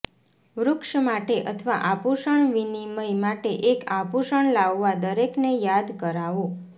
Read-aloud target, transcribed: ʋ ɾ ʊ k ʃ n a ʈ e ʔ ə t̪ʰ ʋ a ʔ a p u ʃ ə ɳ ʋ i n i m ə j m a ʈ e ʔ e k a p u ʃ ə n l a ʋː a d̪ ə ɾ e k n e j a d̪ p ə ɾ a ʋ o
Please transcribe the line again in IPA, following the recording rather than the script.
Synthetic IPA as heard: ʋ ɾ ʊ k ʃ m a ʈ e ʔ ə t̪ʰ ʋ a ʔ a p u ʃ ə ɳ ʋ i n i m ə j m a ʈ e ʔ e k a p u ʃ ə ɳ l a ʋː a d̪ ə ɾ e k n e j a d̪ k ə ɾ a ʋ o